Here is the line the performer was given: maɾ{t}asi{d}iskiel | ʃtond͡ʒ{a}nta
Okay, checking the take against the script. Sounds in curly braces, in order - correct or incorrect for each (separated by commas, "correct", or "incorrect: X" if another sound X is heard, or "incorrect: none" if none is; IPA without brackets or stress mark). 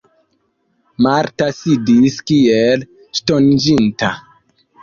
correct, correct, incorrect: i